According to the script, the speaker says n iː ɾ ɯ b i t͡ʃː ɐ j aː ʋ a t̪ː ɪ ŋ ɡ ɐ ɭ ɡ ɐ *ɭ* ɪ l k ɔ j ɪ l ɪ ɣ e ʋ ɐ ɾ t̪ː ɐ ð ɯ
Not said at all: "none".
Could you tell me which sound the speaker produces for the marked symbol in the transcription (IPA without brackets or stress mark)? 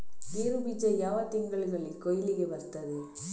ɭ